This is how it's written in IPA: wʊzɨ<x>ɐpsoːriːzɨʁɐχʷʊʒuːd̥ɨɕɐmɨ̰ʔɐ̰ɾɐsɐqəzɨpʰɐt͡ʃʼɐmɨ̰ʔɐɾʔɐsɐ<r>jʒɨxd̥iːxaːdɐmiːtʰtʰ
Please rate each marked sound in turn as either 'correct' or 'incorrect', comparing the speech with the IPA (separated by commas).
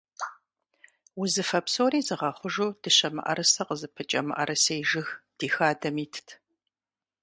incorrect, incorrect